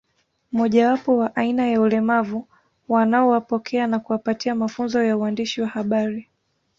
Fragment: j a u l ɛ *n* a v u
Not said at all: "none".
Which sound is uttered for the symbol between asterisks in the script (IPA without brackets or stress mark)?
m